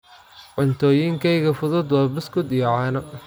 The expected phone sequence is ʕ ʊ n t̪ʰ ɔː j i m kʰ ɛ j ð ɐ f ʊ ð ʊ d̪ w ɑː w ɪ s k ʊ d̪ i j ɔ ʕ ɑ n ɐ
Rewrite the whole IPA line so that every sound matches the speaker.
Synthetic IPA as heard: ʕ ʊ n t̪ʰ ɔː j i ŋ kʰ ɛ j ɣ ɐ f ʊ ð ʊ d̪ w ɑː b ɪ s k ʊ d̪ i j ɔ ʕ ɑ n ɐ